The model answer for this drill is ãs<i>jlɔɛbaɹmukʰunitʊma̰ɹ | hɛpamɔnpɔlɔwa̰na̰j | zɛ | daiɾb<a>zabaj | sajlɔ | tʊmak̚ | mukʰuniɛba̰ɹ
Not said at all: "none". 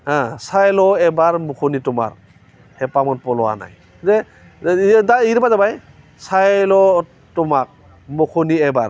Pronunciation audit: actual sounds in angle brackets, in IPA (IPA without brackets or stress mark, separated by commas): a, a